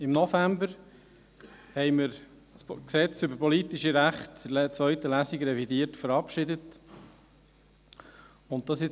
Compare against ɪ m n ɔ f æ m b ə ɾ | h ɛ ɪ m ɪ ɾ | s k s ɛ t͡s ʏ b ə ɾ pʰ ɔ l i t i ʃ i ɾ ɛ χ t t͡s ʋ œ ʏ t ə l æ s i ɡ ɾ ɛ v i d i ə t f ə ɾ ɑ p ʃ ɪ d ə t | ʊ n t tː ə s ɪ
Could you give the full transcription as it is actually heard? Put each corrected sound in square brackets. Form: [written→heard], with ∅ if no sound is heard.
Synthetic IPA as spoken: ɪ m n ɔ f æ m b ə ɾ | h ɛ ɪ m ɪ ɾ | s k s ɛ t͡s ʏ b ə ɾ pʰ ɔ l i t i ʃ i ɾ [ɛ→æ] χ t t͡s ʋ œ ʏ t ə l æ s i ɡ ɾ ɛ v i d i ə t f ə ɾ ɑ p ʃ ɪ d ə t | ʊ n t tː [ə→ɑ] s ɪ